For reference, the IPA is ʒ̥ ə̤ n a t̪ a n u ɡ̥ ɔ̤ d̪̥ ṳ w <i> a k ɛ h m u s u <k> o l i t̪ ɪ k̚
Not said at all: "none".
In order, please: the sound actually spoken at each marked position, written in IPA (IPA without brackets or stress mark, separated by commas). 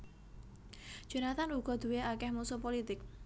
e, p